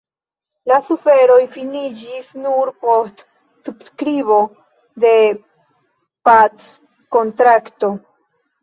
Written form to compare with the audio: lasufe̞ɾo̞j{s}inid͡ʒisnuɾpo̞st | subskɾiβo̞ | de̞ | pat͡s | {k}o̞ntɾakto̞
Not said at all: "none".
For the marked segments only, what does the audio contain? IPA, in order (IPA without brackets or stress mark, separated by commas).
f, k